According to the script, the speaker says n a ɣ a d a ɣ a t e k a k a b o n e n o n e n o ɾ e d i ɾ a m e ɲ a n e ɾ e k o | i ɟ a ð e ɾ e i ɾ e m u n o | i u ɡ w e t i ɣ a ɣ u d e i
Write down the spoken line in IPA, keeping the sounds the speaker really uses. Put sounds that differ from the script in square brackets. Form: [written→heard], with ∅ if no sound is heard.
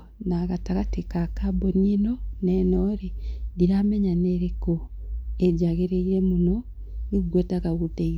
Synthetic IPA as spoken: n a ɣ a [d→t] a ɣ a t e k a k a b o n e n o n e n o ɾ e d i ɾ a m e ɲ a n e ɾ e k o | [i→e] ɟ a [ð→ɣ] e ɾ e i ɾ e m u n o | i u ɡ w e t [i→a] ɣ a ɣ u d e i